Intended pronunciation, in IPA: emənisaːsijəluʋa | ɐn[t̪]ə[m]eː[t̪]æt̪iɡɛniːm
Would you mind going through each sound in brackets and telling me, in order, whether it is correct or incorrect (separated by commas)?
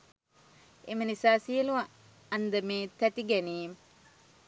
incorrect, correct, correct